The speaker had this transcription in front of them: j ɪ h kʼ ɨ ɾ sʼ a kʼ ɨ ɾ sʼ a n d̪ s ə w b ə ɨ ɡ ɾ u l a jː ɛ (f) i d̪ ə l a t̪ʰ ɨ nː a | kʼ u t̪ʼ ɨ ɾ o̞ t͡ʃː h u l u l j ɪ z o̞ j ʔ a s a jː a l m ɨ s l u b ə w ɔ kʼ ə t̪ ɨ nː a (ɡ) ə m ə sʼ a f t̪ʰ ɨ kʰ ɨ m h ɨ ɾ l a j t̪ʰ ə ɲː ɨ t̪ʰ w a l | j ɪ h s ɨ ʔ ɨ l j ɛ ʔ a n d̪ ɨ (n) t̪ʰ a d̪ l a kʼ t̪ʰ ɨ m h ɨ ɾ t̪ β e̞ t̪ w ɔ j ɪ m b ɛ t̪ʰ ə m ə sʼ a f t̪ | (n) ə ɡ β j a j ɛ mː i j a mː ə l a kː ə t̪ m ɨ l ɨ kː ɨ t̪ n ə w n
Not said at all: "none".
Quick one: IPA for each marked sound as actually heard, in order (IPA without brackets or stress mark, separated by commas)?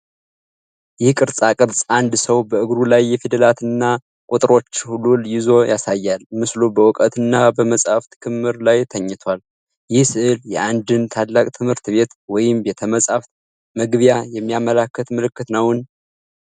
f, b, n, m